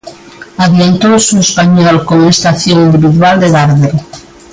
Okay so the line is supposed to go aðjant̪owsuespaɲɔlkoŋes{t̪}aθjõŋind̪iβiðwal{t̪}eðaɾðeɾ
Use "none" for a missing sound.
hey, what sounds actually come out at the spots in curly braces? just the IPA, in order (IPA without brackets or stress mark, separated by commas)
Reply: t̪, d̪